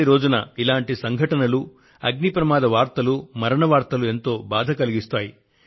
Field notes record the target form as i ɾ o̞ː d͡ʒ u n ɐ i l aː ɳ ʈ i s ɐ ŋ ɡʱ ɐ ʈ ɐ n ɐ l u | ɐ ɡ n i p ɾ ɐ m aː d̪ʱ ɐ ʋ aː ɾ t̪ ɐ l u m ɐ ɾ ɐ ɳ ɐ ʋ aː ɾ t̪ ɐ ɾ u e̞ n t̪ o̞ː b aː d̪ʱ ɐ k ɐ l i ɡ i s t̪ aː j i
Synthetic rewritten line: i ɾ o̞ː d͡ʒ u n ɐ i l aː ɳ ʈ i s ɐ ŋ ɡʱ ɐ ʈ ɐ n ɐ l u | ɐ ɡ n i p ɾ ɐ m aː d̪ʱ ɐ ʋ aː ɾ t̪ ɐ l u m ɐ ɾ ɐ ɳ ɐ ʋ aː ɾ t̪ ɐ l u e̞ n t̪ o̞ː b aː d̪ʱ ɐ k ɐ l i ɡ i s t̪ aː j i